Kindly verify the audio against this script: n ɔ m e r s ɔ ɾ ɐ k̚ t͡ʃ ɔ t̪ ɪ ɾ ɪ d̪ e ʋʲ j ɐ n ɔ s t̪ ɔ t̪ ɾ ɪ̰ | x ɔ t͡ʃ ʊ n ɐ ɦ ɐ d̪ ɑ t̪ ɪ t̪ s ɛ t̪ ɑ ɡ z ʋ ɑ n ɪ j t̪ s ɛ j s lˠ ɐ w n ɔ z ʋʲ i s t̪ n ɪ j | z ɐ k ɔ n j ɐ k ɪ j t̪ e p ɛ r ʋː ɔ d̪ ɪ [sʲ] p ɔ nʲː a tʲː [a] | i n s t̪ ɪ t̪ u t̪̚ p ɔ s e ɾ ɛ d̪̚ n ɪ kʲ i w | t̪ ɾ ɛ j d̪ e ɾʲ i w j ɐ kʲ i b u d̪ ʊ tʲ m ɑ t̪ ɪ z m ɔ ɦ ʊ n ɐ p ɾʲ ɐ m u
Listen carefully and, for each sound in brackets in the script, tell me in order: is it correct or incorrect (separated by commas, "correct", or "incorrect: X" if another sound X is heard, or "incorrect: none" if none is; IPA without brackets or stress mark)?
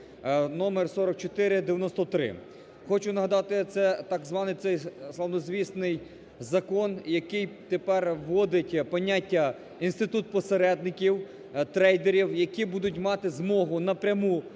incorrect: tʲ, incorrect: ɐ